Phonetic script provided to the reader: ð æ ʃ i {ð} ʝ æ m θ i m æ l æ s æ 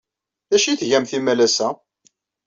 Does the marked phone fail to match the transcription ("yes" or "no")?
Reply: yes